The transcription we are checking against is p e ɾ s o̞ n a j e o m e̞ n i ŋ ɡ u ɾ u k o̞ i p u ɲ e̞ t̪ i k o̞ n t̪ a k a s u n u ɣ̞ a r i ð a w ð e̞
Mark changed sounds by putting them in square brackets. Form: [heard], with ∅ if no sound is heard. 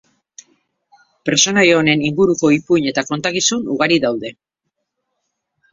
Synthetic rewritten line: p e ɾ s o̞ n a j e o [n] e̞ n i ŋ ɡ u ɾ u k o̞ i p u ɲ e̞ t̪ [a] k o̞ n t̪ a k [i] s u n u ɣ̞ a [ɾ] i ð a w ð e̞